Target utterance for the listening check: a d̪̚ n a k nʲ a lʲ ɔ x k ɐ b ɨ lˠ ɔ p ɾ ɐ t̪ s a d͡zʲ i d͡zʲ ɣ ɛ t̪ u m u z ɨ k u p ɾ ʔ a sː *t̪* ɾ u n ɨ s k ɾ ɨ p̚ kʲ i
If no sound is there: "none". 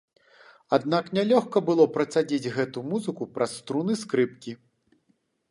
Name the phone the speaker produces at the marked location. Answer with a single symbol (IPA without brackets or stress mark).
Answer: t̪